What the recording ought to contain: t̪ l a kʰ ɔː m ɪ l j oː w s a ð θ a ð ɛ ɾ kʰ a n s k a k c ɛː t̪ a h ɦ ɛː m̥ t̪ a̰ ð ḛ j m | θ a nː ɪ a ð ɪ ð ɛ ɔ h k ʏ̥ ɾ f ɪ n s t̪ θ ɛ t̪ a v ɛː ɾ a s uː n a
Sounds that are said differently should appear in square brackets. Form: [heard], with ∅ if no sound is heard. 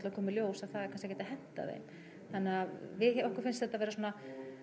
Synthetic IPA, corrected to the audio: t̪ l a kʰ ɔː m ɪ l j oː w s a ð θ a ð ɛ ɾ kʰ a n s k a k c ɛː t̪ a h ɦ [ɛ] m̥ t̪ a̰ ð ḛ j m | θ a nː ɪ a [v] ɪ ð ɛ ɔ h k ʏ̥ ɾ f ɪ n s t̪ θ ɛ t̪ a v ɛː ɾ a s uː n a